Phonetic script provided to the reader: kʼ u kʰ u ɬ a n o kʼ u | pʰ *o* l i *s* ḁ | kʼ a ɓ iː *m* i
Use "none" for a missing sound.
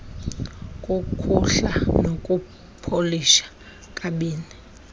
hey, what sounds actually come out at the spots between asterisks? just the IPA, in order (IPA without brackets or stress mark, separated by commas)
o, ʃ, n